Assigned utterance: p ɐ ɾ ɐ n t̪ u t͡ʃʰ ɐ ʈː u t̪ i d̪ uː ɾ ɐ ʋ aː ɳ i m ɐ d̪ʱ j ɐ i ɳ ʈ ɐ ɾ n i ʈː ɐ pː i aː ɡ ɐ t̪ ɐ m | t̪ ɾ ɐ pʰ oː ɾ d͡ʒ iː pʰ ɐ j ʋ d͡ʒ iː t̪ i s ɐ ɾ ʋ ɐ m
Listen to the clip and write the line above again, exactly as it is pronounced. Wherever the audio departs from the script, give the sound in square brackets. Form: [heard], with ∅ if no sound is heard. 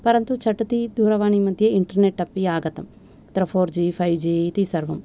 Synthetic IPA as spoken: p ɐ ɾ ɐ n t̪ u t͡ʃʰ ɐ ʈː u t̪ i d̪ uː ɾ ɐ ʋ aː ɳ i m ɐ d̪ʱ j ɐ i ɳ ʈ ɐ ɾ n [e] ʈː ɐ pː i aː ɡ ɐ t̪ ɐ m | t̪ ɾ ɐ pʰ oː ɾ d͡ʒ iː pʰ ɐ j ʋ d͡ʒ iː t̪ i s ɐ ɾ ʋ ɐ m